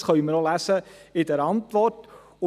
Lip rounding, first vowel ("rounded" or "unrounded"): rounded